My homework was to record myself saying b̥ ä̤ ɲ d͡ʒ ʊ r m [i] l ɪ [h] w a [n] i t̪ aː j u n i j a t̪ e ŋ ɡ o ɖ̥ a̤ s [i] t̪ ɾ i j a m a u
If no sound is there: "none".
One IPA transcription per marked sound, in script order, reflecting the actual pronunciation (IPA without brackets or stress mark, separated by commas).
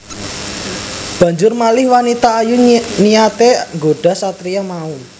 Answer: a, h, n, a